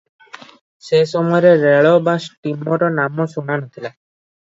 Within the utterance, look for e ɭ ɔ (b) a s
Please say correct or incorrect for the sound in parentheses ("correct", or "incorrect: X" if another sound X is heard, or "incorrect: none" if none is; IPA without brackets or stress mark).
correct